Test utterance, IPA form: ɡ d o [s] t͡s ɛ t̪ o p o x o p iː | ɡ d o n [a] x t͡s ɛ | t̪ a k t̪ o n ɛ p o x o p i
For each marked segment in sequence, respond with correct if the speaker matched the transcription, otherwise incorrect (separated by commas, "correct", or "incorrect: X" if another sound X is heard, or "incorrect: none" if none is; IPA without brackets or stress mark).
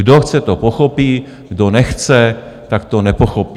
incorrect: x, incorrect: ɛ